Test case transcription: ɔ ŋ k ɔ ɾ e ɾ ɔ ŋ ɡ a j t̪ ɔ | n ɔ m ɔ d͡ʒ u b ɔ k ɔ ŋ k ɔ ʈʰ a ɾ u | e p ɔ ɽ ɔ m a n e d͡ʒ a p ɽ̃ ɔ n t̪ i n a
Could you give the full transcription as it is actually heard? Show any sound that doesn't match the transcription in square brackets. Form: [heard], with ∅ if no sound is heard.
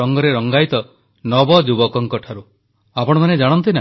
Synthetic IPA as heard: ɔ ŋ [ɡ] ɔ ɾ e ɾ ɔ ŋ ɡ a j t̪ ɔ | n ɔ [b] ɔ d͡ʒ u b ɔ k ɔ ŋ k ɔ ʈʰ a ɾ u | [a] p ɔ ɽ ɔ m a n e d͡ʒ a [∅] ɽ̃ ɔ n t̪ i n a